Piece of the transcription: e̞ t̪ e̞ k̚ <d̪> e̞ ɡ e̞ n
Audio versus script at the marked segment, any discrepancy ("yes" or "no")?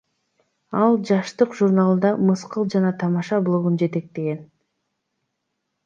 yes